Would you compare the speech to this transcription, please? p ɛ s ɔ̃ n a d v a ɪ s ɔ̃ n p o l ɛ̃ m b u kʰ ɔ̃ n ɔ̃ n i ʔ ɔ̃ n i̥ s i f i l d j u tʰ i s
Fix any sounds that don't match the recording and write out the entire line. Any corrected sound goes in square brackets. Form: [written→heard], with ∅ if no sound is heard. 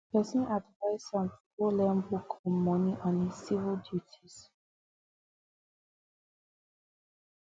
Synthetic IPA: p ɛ s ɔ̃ n a d v a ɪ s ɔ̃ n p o l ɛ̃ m b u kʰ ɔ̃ [n→m] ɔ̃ n i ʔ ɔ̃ n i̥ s i [f→v] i l d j u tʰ i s